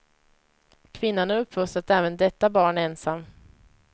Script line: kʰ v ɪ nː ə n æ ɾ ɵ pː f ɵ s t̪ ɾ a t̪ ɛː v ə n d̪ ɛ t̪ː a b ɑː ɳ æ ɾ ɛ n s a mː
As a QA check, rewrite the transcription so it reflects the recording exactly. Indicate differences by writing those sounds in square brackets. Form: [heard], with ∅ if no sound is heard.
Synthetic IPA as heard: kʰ v ɪ nː [a] n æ ɾ ɵ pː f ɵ s t̪ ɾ a t̪ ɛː v ə n d̪ ɛ t̪ː a b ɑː ɳ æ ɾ ɛ n s a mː